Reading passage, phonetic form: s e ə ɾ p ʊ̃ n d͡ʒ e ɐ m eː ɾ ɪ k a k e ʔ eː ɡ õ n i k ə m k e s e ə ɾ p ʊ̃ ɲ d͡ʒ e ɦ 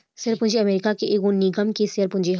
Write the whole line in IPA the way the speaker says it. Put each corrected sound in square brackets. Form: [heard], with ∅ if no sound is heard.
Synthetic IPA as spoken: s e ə ɾ p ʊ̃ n d͡ʒ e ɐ m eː ɾ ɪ k a k e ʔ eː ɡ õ n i [ɡ] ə m k e s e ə ɾ p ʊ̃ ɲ d͡ʒ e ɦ